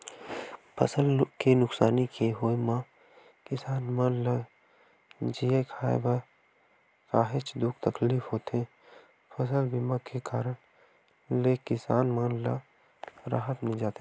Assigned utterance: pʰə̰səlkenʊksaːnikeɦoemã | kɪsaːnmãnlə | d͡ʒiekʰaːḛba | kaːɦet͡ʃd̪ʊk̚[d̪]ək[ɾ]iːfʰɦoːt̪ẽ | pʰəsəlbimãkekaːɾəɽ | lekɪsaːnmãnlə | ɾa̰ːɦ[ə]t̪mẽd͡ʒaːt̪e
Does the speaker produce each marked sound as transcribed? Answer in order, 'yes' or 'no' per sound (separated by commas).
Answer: no, no, yes